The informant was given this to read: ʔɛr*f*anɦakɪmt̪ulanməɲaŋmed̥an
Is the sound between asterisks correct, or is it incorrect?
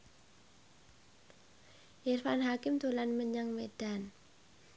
correct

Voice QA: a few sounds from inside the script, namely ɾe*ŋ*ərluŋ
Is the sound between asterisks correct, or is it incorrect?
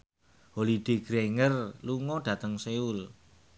correct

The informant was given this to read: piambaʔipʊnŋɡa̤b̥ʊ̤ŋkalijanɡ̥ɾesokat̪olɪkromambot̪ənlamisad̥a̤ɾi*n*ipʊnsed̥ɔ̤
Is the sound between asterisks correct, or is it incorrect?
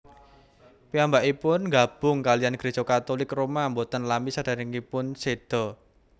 incorrect: ŋ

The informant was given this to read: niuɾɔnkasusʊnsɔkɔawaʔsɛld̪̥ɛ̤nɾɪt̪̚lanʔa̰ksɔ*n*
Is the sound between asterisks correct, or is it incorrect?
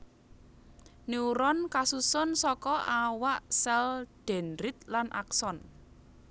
correct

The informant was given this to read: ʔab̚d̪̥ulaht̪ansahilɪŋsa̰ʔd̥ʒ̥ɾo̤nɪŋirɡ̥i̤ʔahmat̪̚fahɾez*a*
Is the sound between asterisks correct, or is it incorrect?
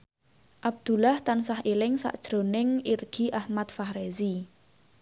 incorrect: i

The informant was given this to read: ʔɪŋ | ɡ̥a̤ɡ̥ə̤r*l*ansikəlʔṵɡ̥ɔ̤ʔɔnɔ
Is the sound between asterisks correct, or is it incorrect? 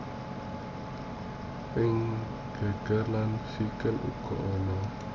correct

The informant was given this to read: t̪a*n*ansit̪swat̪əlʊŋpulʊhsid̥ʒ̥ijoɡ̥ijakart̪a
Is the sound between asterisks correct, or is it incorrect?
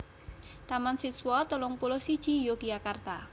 incorrect: m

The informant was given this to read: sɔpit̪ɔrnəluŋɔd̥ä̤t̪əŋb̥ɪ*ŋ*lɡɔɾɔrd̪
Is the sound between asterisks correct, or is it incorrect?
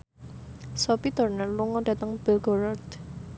incorrect: none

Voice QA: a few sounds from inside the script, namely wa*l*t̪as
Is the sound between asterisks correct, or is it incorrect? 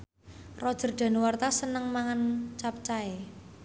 incorrect: r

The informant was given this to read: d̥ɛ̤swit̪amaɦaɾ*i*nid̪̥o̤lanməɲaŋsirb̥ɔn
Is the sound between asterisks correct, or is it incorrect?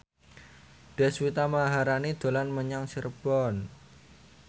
incorrect: a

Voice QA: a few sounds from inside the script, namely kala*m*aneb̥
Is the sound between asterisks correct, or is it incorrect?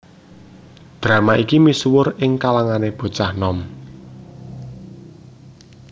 incorrect: ŋ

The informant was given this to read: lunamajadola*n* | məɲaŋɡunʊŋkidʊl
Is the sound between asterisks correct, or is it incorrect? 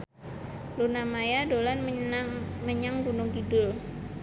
correct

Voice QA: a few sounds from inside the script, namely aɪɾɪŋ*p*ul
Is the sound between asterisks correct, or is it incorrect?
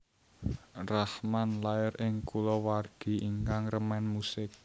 incorrect: k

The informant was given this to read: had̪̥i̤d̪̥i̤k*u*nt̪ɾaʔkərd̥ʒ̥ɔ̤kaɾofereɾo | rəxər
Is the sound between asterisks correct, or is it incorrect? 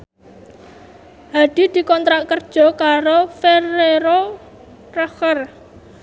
incorrect: ɔ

